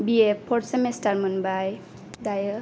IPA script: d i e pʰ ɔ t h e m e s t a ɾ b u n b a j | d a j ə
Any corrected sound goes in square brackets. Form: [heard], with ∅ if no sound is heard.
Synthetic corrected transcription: [b] i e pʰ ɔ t [s] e m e s t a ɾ [m] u n b a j | d a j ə